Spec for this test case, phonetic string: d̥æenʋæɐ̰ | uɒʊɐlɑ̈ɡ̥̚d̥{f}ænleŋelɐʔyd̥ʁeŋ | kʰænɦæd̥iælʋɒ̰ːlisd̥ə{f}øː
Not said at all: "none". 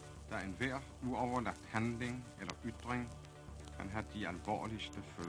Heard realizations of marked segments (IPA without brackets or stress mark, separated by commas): h, f